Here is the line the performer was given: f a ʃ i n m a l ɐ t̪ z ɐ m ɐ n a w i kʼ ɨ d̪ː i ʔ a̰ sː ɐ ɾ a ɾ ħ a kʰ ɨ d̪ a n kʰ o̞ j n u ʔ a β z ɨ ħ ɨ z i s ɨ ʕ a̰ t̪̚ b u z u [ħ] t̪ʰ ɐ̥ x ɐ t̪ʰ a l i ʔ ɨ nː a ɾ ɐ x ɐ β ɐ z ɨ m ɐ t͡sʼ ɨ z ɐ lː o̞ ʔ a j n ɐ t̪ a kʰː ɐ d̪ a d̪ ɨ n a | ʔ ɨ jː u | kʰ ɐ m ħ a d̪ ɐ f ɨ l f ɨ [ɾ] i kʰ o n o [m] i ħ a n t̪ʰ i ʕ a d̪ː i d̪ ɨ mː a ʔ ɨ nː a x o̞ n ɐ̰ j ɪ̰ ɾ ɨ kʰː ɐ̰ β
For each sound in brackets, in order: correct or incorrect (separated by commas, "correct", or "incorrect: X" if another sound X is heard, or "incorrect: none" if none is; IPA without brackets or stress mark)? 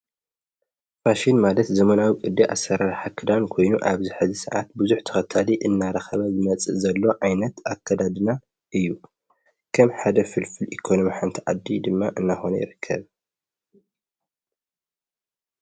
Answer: correct, incorrect: l, correct